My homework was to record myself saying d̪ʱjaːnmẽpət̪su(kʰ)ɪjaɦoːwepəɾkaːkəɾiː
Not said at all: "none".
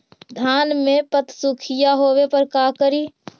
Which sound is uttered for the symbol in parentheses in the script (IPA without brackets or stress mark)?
kʰ